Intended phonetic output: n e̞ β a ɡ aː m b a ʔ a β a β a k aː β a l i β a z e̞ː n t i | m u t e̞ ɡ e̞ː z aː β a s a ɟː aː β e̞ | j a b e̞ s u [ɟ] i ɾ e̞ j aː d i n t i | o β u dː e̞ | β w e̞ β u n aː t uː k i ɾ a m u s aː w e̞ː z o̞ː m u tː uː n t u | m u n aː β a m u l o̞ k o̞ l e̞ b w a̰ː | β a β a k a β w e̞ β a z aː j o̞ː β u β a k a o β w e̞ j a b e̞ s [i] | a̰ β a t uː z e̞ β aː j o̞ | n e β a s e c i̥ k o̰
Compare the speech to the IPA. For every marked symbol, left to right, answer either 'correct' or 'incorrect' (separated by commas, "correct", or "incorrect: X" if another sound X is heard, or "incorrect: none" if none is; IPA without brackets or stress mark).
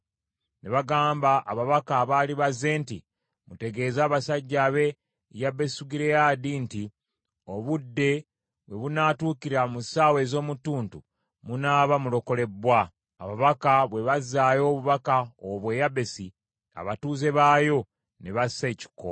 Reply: incorrect: ɡ, correct